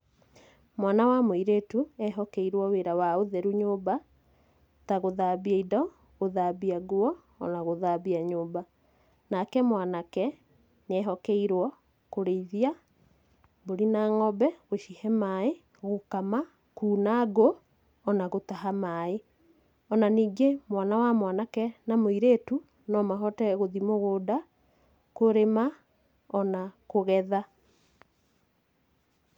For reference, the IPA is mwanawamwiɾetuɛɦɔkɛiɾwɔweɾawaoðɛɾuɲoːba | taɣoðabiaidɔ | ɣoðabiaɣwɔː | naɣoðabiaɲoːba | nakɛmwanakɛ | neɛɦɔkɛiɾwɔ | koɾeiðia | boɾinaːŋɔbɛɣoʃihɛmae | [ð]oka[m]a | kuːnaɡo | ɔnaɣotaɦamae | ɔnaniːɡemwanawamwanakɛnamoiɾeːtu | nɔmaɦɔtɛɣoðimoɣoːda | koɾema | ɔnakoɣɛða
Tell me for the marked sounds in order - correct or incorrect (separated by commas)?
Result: incorrect, correct